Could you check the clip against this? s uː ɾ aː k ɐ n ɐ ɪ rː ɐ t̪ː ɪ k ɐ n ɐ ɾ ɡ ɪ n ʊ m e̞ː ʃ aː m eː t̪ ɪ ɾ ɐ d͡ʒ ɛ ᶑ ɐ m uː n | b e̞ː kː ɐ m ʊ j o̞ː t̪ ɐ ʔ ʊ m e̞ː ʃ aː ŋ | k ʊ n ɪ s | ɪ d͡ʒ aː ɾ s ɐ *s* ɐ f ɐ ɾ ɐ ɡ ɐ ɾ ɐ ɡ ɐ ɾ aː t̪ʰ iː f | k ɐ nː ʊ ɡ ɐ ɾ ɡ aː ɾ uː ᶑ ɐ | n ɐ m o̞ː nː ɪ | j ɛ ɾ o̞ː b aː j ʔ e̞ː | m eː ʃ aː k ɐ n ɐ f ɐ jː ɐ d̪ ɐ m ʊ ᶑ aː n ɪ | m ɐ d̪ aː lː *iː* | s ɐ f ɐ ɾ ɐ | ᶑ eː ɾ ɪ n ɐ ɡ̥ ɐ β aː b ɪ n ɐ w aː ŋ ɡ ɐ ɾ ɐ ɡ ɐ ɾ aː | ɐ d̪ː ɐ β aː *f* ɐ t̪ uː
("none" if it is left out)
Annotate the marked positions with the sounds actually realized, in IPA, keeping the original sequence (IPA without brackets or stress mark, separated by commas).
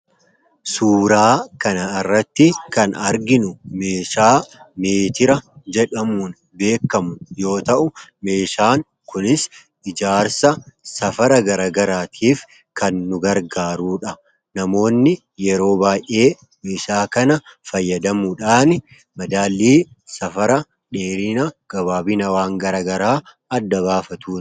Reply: s, iː, f